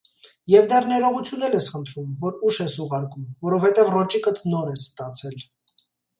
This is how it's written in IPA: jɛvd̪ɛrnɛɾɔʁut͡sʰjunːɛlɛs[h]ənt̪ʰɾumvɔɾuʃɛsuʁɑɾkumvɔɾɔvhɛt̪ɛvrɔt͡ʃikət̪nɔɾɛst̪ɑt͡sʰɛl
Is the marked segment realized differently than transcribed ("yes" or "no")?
yes